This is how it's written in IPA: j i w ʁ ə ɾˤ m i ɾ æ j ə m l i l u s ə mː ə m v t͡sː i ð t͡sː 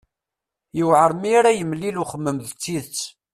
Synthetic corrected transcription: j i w ʕ ə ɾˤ m i ɾ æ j ə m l i l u χ ə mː ə m ð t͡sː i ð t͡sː